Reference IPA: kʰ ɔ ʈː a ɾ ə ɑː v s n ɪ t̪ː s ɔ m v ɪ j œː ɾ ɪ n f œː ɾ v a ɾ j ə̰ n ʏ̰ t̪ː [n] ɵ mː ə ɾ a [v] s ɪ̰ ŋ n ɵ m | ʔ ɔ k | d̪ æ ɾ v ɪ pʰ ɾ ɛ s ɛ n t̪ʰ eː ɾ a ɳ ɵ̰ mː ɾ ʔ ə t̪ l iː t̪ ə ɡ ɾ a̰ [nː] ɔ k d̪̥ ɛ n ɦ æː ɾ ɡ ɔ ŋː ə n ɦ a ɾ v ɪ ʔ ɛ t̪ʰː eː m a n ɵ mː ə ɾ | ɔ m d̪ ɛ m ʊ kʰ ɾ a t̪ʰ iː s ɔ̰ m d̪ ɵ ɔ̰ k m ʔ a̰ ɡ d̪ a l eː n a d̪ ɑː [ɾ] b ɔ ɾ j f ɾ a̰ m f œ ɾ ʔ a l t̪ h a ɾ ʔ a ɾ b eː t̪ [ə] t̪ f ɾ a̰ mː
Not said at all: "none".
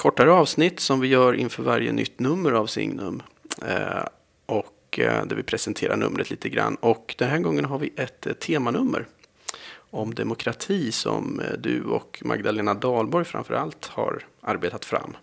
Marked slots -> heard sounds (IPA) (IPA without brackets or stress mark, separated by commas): n, v, nː, l, a